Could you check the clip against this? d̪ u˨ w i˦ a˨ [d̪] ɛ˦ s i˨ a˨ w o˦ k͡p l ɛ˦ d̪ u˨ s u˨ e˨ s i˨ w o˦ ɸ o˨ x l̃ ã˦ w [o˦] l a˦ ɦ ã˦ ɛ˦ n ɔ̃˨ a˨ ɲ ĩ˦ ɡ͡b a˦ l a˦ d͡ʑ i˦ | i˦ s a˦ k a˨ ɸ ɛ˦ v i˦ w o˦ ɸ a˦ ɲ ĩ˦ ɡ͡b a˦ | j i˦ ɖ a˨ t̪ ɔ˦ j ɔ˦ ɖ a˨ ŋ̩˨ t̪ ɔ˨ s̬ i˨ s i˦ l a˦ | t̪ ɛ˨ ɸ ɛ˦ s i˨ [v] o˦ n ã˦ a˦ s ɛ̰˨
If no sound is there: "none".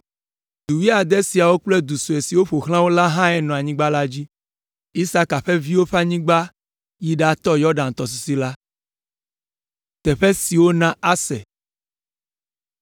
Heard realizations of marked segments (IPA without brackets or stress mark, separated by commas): d̪, o˦, w